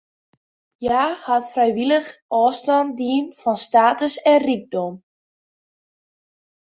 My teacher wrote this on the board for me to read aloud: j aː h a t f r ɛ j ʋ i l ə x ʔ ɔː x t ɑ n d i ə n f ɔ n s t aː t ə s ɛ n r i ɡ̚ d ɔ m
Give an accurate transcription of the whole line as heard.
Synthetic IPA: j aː h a t f r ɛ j ʋ i l ə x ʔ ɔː s t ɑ n d i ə n f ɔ n s t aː t ə s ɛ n r i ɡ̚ d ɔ m